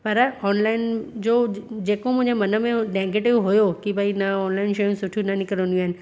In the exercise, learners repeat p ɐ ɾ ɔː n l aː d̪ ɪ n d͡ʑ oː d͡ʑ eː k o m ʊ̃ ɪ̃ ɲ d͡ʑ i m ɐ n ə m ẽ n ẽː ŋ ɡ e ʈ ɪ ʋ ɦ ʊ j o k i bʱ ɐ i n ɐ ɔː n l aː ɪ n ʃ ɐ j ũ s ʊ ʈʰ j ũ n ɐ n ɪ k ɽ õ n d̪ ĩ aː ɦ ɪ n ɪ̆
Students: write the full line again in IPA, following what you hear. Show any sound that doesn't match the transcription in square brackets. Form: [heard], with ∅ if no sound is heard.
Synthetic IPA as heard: p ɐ ɾ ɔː n l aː [∅] ɪ n d͡ʑ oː d͡ʑ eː k o m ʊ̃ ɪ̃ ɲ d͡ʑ [e] m ɐ n ə m ẽ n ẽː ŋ ɡ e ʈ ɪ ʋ ɦ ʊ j o k i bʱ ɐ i n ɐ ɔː n l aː ɪ n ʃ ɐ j ũ s ʊ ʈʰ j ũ n ɐ n ɪ k [ɾ] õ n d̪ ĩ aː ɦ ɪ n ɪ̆